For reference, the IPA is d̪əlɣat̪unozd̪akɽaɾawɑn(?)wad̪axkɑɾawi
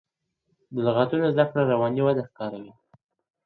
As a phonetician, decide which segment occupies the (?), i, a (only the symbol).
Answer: i